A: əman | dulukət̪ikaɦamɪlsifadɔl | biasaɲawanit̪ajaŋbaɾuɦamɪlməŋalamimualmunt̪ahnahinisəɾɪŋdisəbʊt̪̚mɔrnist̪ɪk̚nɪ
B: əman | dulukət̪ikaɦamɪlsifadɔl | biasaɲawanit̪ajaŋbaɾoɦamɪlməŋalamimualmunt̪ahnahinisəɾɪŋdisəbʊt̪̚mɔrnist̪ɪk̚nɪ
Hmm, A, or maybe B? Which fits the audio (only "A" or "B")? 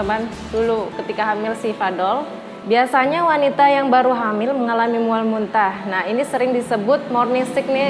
A